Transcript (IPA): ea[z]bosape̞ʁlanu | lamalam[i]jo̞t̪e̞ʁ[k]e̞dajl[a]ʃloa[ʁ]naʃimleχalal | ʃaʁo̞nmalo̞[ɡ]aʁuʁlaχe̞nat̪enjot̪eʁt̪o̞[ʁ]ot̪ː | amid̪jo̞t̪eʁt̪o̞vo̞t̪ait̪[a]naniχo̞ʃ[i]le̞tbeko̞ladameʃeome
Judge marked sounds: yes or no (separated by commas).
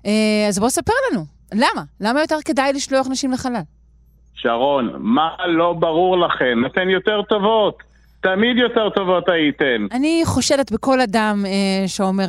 yes, no, yes, no, no, no, no, no, no